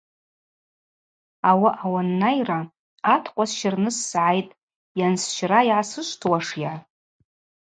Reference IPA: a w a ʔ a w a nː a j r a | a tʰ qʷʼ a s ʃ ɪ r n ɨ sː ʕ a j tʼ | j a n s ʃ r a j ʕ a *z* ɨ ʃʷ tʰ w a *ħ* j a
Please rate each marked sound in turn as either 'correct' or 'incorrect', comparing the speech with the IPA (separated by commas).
incorrect, incorrect